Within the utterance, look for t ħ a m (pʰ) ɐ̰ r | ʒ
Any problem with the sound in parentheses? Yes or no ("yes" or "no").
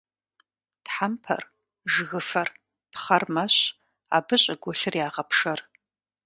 no